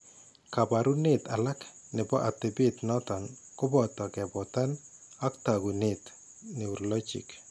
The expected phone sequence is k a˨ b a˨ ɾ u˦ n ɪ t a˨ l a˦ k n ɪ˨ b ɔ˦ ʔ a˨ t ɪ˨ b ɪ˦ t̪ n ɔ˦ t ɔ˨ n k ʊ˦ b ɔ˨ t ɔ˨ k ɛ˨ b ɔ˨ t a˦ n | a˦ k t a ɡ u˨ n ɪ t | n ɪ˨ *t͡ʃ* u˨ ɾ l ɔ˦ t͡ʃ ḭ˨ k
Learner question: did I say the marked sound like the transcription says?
no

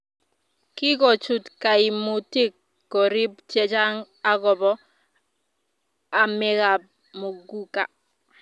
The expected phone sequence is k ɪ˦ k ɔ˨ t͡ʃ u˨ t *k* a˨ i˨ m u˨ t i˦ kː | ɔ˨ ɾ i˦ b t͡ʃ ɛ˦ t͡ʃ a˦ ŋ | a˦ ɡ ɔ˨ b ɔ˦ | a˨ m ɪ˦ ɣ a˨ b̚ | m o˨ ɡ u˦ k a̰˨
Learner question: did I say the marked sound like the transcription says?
yes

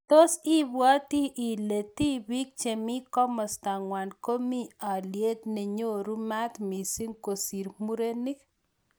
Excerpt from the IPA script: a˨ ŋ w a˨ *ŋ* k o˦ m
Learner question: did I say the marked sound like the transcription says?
no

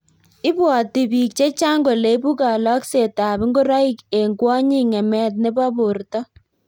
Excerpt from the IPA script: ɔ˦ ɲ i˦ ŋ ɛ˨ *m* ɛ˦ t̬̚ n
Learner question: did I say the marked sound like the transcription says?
yes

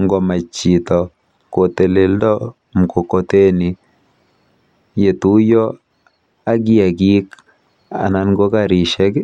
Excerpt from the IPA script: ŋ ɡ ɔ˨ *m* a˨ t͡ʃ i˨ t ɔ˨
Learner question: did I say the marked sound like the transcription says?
yes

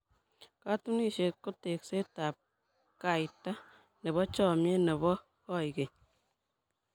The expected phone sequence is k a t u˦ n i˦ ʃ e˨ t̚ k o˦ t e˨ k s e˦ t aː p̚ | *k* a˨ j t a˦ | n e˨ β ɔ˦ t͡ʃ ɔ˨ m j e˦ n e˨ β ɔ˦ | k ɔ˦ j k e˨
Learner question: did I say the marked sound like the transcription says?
yes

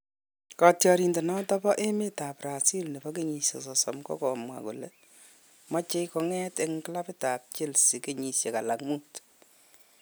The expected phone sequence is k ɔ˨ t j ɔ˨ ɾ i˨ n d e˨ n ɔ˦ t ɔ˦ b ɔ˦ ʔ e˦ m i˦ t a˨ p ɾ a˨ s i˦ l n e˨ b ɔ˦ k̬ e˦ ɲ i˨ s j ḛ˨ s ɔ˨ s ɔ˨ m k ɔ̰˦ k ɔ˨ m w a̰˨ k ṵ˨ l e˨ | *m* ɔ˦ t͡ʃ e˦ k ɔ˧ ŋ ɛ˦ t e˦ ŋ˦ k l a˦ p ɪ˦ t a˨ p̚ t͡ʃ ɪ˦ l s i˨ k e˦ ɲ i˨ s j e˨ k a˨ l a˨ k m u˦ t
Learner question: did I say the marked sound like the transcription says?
yes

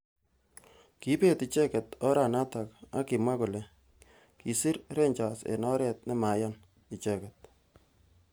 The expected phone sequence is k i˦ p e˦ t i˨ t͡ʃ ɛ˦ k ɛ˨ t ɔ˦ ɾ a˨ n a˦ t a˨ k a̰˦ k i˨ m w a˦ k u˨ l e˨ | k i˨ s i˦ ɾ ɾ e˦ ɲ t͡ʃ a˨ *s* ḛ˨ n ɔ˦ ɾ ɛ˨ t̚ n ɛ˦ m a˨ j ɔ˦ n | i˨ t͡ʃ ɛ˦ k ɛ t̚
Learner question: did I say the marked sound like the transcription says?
yes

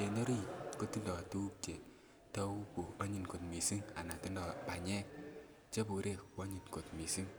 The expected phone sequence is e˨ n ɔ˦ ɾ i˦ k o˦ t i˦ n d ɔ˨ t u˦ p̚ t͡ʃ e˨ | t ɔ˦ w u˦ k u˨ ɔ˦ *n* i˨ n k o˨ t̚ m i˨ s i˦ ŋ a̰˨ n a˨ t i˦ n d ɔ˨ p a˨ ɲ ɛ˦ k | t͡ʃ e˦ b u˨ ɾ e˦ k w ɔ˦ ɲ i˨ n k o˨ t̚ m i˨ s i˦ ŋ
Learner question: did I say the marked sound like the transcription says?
no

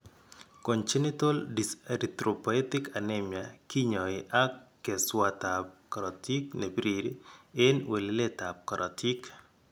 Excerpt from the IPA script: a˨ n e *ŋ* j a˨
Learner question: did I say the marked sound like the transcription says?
no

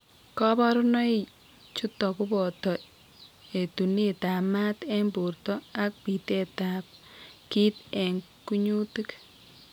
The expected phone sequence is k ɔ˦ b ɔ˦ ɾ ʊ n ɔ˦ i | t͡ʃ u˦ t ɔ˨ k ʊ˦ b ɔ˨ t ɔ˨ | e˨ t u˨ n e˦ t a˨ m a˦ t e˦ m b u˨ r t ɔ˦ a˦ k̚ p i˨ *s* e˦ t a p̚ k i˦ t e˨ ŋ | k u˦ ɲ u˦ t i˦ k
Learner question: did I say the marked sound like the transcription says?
no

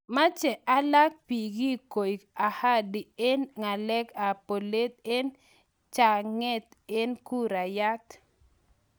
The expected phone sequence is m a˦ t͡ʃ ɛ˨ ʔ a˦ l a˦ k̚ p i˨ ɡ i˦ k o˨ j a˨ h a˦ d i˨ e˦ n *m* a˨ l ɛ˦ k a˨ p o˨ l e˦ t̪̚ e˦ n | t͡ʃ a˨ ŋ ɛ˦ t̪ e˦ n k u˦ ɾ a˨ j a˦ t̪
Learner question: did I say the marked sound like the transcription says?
no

